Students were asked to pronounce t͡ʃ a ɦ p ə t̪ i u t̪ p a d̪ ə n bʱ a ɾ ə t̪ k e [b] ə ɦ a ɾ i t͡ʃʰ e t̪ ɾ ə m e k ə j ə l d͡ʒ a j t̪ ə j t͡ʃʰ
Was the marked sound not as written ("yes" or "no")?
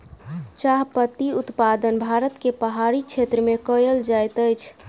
yes